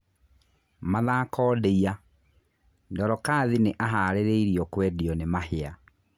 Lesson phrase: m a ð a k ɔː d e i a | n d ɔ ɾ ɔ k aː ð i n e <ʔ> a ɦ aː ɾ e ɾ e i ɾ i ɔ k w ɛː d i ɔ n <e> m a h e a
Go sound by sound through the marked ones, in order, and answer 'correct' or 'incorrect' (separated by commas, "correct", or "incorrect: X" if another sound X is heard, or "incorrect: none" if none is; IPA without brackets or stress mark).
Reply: correct, correct